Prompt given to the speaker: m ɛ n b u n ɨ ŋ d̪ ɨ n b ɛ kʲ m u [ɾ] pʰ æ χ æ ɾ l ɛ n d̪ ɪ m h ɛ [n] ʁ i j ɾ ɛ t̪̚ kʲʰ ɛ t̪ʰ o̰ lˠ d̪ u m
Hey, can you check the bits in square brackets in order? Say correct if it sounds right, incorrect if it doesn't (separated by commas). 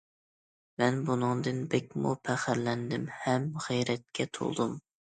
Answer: incorrect, incorrect